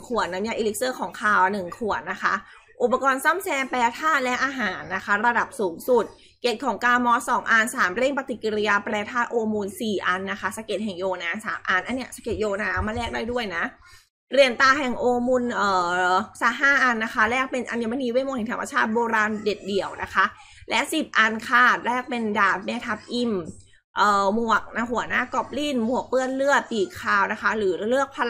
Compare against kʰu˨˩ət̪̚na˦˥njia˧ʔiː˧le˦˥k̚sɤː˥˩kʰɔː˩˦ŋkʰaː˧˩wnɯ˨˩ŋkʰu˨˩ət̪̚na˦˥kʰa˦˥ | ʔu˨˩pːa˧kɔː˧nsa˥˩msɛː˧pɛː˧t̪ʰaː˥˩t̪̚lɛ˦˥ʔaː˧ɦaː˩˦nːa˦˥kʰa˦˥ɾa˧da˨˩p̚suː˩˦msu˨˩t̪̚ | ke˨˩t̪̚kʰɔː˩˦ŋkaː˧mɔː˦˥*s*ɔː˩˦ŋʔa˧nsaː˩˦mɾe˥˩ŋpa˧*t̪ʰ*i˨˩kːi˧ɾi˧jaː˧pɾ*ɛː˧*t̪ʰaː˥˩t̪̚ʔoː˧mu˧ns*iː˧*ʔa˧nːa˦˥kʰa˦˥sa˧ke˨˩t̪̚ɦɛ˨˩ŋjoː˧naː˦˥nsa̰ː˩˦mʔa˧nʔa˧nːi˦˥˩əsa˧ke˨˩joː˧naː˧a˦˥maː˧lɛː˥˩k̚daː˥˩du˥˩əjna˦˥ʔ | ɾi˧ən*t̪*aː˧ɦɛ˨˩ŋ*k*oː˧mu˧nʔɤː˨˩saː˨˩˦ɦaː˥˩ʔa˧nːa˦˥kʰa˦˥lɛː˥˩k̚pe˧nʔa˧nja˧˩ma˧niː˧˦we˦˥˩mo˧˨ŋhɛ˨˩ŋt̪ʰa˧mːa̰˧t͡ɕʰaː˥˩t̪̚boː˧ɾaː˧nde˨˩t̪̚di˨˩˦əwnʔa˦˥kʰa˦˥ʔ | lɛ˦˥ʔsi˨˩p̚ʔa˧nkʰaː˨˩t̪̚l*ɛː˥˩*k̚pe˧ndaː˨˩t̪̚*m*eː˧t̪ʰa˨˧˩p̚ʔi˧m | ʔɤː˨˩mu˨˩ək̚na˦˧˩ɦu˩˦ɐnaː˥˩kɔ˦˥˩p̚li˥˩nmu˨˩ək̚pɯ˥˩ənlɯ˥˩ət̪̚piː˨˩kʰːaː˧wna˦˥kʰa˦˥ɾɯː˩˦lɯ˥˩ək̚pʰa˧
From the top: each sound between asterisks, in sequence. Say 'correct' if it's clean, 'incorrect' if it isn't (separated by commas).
correct, incorrect, correct, incorrect, correct, incorrect, correct, correct